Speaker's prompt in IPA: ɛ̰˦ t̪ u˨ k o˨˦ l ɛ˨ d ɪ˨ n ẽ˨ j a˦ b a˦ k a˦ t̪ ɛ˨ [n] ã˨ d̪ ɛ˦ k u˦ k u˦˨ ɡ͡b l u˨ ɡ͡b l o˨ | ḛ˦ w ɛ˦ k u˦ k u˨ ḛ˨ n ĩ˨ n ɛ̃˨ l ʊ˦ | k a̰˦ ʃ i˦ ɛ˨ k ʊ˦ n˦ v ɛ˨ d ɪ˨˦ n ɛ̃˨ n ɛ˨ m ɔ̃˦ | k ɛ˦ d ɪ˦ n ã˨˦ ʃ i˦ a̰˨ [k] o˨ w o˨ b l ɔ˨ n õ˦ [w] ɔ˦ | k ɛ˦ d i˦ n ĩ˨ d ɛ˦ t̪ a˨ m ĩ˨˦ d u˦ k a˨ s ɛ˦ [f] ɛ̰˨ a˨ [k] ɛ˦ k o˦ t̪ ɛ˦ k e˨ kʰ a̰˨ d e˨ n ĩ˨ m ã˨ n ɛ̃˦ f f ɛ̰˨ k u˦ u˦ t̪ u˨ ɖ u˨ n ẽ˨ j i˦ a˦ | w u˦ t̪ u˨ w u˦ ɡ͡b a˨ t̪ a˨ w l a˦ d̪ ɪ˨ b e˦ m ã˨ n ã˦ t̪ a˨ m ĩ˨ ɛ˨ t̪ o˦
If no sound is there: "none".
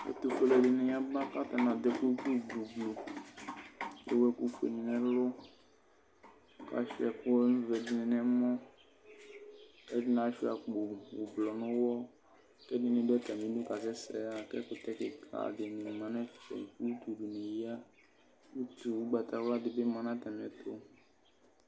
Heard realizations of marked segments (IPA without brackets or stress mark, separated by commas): n, k͡p, w, s, k